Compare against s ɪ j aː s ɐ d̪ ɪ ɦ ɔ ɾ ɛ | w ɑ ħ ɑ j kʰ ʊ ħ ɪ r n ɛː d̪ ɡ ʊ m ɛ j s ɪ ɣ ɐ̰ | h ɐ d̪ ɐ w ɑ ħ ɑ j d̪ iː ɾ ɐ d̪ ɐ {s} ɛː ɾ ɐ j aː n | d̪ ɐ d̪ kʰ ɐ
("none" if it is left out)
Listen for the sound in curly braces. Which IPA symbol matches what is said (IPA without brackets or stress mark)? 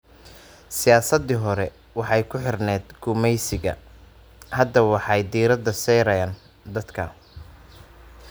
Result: s